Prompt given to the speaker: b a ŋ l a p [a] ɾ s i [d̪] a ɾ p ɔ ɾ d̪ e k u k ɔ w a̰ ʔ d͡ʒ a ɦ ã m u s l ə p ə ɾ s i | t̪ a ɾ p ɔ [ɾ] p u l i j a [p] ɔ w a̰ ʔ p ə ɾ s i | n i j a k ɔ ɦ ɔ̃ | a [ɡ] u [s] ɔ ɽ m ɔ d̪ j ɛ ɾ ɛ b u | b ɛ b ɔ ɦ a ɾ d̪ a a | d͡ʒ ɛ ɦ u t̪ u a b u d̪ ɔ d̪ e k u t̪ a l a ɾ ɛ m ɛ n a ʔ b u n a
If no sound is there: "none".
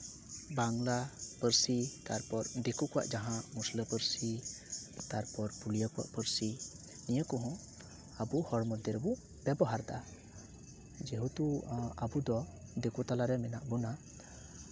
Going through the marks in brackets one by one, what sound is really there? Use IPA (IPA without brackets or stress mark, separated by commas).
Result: ə, t̪, ɾ, k, b, h